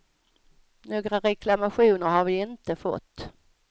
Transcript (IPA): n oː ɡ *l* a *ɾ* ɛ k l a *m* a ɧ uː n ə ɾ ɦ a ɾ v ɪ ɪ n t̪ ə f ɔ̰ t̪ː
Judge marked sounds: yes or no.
no, yes, yes

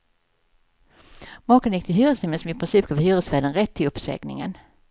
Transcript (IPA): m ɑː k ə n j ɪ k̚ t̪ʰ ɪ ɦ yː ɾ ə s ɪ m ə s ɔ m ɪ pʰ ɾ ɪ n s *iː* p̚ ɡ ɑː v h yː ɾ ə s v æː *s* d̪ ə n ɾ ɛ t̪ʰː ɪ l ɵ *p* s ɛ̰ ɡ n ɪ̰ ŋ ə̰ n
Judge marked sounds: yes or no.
yes, no, yes

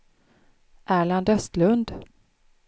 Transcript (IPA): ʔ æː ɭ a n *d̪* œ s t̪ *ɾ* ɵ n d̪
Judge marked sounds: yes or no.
yes, no

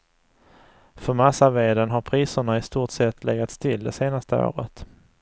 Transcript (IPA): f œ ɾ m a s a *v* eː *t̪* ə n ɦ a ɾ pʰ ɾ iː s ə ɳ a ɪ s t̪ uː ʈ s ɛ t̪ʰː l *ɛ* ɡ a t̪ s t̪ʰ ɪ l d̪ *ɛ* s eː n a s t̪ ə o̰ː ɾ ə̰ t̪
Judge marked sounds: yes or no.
yes, no, yes, yes

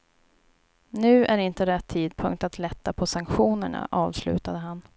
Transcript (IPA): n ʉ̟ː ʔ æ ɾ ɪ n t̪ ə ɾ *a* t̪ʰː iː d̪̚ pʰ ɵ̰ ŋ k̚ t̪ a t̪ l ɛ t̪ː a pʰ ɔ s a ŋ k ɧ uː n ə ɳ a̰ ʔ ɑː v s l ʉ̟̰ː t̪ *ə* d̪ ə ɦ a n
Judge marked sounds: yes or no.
no, no

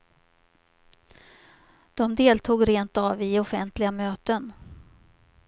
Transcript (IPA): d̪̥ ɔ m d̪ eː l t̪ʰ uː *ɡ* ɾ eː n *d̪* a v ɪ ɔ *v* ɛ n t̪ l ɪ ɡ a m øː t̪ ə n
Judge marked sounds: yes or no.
yes, no, no

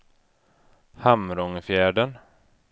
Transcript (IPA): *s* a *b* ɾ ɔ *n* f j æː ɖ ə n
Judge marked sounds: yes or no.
no, no, no

